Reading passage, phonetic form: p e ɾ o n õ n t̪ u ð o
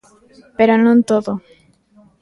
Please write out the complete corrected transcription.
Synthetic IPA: p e ɾ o n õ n t̪ o ð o